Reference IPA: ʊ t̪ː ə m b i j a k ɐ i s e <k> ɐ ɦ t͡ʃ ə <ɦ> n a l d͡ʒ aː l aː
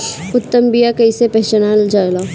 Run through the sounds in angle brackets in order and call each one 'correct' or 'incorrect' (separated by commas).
incorrect, incorrect